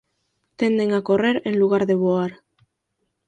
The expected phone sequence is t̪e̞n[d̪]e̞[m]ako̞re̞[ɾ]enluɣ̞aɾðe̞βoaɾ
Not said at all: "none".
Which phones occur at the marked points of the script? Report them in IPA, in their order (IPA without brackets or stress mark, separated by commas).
d̪, ŋ, ɾ